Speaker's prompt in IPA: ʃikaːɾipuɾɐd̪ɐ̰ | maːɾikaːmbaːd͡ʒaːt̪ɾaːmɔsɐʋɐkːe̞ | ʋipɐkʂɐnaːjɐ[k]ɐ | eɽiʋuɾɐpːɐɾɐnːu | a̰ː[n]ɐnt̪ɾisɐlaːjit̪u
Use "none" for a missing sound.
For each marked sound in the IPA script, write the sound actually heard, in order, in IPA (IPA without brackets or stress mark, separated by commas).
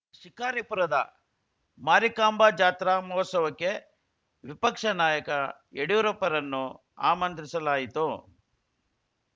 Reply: k, m